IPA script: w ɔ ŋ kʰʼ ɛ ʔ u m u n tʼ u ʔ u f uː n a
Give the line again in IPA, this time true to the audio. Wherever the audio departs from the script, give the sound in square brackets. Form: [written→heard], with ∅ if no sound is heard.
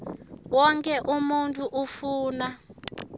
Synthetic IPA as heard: w ɔ ŋ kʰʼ ɛ ʔ u m u n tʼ u ʔ u f uː n a